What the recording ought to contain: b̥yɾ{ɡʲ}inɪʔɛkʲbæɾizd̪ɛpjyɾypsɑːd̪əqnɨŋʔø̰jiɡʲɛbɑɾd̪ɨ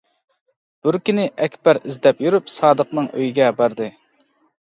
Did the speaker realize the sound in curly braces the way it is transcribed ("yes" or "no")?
no